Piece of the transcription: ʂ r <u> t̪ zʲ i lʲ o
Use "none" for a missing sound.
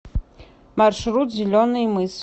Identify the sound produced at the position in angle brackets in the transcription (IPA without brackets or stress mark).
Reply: u